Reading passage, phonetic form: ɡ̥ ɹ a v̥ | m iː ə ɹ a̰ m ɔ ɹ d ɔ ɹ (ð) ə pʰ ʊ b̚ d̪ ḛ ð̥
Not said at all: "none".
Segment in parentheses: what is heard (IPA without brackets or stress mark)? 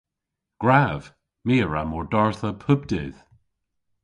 θ